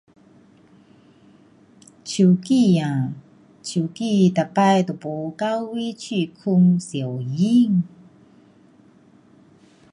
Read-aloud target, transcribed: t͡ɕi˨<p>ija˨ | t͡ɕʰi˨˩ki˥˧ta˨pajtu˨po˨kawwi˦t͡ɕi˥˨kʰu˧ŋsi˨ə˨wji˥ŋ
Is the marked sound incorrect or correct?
incorrect